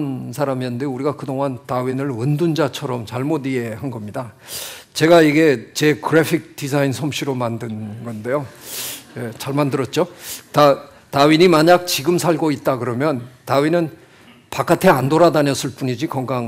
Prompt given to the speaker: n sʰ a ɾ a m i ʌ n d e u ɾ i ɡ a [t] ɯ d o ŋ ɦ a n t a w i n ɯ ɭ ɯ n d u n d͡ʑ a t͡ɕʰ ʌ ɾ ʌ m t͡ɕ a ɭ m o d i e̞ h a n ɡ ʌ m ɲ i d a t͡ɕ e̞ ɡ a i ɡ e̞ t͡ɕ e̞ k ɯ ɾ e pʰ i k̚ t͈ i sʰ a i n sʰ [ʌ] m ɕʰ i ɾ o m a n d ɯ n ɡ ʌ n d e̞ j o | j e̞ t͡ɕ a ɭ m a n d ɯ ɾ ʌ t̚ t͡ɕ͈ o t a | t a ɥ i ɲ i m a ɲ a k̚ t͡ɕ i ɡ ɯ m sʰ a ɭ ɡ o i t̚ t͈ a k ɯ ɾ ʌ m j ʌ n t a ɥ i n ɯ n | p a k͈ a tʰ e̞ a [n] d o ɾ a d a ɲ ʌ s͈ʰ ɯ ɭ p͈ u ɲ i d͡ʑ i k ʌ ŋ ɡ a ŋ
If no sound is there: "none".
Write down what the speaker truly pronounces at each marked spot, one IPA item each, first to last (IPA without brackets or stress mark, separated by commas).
k, ʌ, n